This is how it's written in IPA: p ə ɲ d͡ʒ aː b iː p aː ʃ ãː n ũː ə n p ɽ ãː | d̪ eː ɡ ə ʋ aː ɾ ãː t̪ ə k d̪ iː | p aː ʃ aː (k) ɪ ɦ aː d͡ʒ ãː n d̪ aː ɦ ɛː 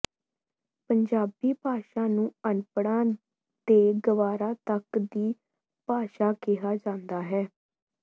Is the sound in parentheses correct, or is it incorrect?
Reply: correct